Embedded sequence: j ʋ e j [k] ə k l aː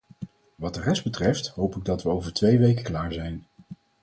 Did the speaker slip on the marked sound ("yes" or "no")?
no